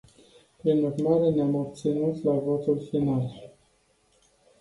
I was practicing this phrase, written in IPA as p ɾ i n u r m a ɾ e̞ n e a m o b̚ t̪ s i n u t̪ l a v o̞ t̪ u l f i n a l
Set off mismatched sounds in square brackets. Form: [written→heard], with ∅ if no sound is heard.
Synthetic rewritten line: p ɾ i n u r m a ɾ e̞ n e a m o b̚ t̪ s i n u t̪ l a v o̞ t̪ u l f i n a l